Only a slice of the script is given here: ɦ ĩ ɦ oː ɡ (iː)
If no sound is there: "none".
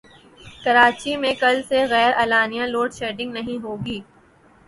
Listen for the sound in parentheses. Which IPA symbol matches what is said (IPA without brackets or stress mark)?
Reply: iː